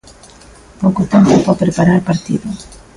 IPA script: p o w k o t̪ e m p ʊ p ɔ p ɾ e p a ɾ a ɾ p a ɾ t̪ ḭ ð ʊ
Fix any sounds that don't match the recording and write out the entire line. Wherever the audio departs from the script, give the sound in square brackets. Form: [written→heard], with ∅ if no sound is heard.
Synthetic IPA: p o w k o t̪ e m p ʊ p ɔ p ɾ e p a ɾ a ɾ p a ɾ t̪ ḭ ð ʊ